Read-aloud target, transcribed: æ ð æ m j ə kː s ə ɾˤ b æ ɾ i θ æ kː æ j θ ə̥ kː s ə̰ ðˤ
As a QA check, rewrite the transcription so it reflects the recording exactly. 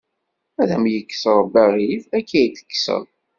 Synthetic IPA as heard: æ ð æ m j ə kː s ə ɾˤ b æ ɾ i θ æ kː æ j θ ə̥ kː s ə̰ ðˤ